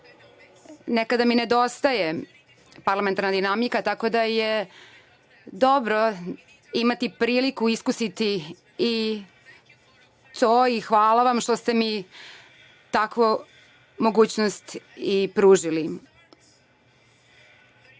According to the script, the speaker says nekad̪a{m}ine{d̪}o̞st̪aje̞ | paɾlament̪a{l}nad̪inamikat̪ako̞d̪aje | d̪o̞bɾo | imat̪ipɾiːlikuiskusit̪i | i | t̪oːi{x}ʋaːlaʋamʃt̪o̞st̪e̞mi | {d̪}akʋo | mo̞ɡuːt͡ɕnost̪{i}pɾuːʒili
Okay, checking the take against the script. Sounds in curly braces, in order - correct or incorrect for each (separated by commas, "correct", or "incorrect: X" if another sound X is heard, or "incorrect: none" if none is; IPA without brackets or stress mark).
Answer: correct, correct, incorrect: ɾ, correct, incorrect: t̪, correct